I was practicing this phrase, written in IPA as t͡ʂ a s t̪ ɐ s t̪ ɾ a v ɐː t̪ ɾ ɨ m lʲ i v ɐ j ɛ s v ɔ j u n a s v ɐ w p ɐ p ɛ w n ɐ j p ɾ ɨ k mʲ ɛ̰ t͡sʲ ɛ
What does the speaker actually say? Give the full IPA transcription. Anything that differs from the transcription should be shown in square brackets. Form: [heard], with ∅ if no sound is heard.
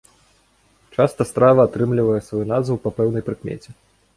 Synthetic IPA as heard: t͡ʂ a s t̪ ɐ s t̪ ɾ a v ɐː t̪ ɾ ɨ m lʲ i v ɐ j ɛ s v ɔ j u n a [z] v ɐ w p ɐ p ɛ w n ɐ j p ɾ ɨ k mʲ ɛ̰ t͡sʲ ɛ